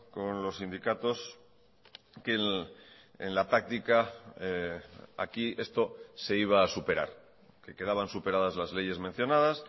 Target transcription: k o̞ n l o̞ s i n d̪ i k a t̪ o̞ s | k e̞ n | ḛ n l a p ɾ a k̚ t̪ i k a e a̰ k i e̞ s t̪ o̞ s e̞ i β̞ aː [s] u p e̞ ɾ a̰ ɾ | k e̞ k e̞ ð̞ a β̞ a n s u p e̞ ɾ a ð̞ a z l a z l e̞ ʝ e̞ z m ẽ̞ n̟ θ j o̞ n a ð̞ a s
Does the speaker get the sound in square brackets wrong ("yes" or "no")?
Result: no